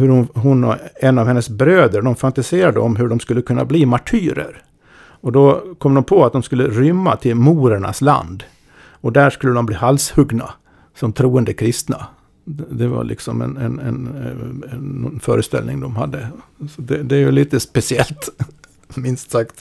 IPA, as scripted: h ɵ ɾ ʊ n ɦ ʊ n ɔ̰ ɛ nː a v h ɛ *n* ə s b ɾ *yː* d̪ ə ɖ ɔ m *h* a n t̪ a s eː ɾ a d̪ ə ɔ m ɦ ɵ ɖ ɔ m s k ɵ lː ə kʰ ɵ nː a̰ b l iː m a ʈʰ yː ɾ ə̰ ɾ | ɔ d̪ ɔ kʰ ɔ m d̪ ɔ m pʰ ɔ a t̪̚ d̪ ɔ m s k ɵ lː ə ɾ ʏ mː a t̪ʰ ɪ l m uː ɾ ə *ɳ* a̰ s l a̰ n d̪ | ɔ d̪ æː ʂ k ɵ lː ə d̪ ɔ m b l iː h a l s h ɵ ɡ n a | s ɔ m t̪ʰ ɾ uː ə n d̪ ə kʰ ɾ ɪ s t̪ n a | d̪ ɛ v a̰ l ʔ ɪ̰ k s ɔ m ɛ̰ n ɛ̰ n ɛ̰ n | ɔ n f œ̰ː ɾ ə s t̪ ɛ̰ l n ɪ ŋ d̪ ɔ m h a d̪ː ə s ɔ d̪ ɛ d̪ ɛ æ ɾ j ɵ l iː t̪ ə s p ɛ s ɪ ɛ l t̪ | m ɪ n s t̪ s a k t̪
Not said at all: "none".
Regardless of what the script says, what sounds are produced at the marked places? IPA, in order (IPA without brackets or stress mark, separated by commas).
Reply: nː, øː, f, ɳ